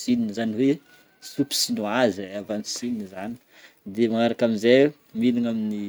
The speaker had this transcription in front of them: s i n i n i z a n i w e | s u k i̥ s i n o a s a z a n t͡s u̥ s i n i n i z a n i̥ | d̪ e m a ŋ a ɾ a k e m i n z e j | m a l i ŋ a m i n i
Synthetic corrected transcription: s i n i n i z a n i w e | s u p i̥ s i n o a z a v a n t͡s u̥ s i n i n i z a n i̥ | d̪ e m a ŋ a ɾ a k a m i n z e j | m i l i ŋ a m i n i